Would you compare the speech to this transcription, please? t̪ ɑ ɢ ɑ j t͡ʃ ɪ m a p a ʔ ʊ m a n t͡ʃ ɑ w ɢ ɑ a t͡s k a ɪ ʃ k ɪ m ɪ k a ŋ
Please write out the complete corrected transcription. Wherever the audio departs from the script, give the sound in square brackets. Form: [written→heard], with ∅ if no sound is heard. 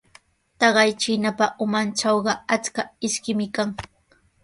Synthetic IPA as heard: t̪ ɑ ɢ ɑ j t͡ʃ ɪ [m→n] a p a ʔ ʊ m a n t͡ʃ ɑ w ɢ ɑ a t͡s k a ɪ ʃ k ɪ m ɪ k a ŋ

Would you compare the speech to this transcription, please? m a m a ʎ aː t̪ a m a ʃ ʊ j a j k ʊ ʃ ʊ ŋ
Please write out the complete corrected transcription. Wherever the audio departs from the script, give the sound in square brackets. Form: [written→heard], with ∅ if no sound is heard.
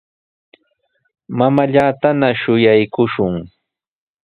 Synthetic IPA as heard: m a m a ʎ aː t̪ a [m→n] a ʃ ʊ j a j k ʊ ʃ ʊ ŋ

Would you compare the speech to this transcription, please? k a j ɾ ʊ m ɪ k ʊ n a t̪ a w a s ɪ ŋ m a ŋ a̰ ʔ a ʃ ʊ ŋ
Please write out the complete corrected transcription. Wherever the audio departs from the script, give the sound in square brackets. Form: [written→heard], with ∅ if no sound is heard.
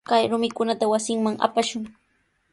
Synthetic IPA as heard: k a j ɾ ʊ m ɪ k ʊ n a t̪ a w a s ɪ ŋ m a ŋ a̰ [ʔ→p] a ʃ ʊ ŋ

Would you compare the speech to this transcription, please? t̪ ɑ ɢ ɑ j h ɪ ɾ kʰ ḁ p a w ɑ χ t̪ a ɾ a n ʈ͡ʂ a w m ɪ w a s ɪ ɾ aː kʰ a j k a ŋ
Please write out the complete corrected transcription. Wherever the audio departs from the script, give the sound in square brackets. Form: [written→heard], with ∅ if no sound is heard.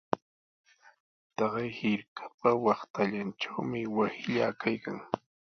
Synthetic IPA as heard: t̪ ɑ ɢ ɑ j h ɪ ɾ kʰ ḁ p a w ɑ χ t̪ a [ɾ→ʎ] a n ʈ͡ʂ a w m ɪ w a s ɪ [ɾ→ʎ] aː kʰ a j k a ŋ

